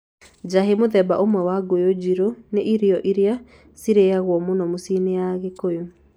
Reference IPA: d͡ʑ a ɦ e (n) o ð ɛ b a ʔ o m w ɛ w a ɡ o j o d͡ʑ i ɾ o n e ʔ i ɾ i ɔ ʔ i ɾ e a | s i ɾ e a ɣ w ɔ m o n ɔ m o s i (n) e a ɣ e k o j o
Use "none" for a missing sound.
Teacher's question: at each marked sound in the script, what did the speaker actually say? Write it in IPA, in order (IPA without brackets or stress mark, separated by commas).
m, n